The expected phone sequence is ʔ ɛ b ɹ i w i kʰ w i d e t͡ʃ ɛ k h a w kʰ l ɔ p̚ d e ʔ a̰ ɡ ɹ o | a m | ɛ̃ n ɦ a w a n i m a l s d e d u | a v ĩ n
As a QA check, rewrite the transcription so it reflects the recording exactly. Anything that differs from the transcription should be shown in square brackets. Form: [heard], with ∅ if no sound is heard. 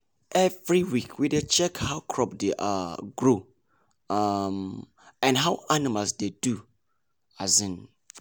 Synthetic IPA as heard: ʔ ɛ [v] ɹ i w i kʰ w i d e t͡ʃ ɛ k h a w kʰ [ɹ] ɔ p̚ d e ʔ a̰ ɡ ɹ o | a m | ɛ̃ n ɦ a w a n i m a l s d e d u | a [z] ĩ n

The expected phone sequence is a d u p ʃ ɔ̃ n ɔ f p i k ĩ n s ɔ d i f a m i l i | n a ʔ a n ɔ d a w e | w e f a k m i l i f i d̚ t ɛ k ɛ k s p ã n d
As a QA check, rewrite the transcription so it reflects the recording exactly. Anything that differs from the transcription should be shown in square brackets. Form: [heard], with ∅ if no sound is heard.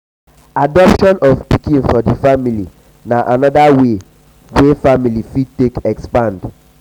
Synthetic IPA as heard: a d [ɔ] p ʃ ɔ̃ n ɔ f p i k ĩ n [f] ɔ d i f a m i l i | n a ʔ a n ɔ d a w e | w e f a [∅] m i l i f i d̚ t [e] k ɛ k s p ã n d

